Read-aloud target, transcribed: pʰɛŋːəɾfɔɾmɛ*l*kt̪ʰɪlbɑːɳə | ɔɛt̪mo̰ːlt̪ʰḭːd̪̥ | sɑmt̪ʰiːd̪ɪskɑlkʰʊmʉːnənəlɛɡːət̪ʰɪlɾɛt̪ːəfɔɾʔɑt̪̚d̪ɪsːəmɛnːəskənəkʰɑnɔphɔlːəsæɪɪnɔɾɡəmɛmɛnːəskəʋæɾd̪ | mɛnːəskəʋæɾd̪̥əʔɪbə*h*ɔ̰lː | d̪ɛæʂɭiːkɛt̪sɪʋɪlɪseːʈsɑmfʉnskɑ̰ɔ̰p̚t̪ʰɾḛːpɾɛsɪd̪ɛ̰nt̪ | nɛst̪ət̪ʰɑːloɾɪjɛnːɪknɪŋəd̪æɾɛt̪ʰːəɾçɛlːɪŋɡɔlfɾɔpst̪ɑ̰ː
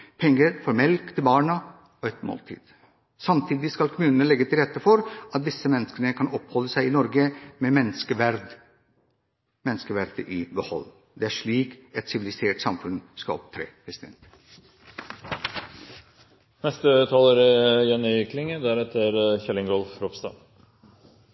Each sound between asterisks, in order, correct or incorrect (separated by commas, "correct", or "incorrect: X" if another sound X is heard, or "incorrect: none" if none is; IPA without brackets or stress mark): correct, correct